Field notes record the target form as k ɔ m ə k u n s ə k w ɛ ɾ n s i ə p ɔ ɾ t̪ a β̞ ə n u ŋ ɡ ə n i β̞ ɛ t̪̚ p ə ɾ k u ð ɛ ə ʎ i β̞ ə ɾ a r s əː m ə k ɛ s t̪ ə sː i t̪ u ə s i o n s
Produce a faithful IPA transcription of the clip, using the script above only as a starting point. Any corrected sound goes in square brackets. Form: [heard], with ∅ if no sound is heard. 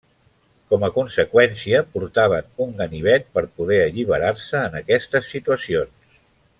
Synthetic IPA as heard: k ɔ m ə k u n s ə k w ɛ [∅] n s i ə p [u] ɾ t̪ a β̞ ə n u ŋ ɡ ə n i β̞ ɛ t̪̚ p ə ɾ [p] u ð ɛ ə ʎ i β̞ ə ɾ a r s əː [n] ə k ɛ s t̪ ə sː i t̪ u ə s i o n s